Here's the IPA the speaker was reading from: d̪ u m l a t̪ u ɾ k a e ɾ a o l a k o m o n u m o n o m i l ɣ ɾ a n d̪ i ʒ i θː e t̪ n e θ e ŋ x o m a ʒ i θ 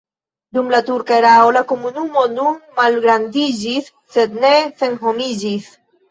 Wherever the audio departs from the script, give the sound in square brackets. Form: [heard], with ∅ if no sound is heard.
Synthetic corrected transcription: d̪ u m l a t̪ u ɾ k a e ɾ a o l a k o m [u] n u m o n [u] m [a] l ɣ ɾ a n d̪ i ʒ i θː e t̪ n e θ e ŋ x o m [i] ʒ i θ